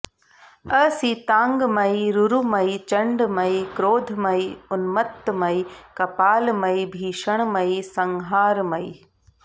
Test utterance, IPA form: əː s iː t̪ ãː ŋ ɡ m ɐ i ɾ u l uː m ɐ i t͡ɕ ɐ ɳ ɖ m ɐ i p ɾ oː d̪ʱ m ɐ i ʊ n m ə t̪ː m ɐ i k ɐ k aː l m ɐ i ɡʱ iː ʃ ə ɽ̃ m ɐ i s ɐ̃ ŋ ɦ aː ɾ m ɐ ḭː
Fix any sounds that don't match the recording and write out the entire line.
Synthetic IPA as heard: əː s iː t̪ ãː ŋ ɡ m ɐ i ɾ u ɾ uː m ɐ i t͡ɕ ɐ ɳ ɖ m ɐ i k ɾ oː d̪ʱ m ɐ i ʊ n m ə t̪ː m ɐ i k ɐ p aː l m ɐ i bʱ iː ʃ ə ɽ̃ m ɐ i s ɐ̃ ŋ ɦ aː ɾ m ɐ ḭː